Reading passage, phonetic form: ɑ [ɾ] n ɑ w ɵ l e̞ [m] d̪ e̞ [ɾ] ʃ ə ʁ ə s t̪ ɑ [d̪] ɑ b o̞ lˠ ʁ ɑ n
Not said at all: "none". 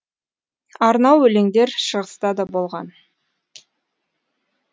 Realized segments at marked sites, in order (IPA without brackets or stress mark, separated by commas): ɾ, ŋ, ɾ, d̪